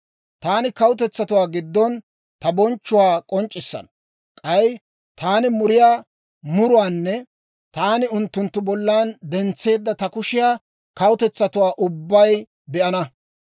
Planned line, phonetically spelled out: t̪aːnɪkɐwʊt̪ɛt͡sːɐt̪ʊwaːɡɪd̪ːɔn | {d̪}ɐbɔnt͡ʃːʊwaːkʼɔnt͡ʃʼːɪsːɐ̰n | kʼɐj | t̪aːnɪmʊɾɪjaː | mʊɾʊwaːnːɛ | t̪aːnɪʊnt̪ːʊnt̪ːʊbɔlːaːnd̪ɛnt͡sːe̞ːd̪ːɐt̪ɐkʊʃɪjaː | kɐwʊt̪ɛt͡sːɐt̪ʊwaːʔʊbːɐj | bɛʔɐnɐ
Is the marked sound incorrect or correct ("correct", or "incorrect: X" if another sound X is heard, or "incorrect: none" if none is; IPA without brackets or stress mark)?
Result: incorrect: t̪